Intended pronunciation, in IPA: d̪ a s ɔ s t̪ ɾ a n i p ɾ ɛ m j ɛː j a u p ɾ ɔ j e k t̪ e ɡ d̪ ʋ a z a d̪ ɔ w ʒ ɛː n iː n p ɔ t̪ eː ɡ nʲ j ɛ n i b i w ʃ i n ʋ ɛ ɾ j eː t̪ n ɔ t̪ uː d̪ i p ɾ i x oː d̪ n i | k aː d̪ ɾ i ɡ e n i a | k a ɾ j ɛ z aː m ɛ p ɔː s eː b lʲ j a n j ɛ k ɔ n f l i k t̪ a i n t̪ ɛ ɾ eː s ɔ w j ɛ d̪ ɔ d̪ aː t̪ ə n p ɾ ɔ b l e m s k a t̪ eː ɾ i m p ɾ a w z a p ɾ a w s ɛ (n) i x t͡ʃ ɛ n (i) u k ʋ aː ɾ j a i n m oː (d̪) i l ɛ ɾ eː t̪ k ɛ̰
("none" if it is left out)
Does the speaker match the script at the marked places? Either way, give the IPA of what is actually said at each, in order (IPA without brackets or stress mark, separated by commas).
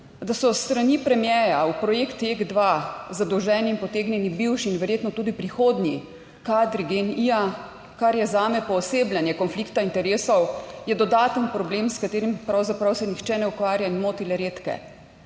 n, ɛ, t̪